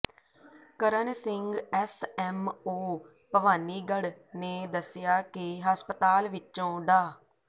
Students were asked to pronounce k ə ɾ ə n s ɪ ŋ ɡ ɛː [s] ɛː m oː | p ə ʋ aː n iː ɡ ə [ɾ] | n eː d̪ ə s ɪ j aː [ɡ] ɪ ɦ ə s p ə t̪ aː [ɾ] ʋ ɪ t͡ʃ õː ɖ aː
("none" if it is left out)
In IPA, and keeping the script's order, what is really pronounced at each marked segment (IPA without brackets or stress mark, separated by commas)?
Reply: s, ɽ, k, l